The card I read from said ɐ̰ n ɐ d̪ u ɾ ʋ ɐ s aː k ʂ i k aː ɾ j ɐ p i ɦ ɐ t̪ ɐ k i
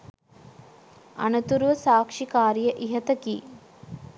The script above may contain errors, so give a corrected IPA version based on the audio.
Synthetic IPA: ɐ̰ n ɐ t̪ u ɾ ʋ ɐ s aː k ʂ i k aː ɾ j ɐ ʔ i ɦ ɐ t̪ ɐ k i